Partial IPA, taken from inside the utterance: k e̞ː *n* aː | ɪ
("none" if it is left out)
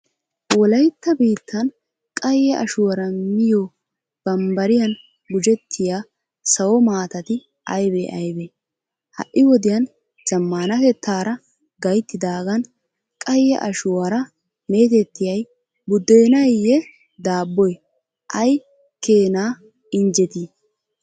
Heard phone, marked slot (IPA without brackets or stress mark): n